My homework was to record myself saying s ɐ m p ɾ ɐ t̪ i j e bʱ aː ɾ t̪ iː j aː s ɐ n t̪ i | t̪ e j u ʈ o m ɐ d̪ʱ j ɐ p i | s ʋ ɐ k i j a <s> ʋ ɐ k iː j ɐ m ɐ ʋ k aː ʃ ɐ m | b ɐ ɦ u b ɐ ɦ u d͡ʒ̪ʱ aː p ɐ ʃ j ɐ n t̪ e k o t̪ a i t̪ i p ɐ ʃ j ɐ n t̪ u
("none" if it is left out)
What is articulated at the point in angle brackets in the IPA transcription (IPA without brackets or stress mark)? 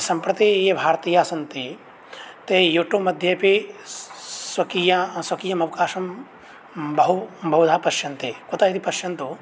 s